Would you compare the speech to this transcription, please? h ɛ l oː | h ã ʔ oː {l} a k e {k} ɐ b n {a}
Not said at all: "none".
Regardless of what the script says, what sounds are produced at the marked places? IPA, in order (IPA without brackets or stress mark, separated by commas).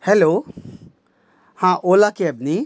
l, none, i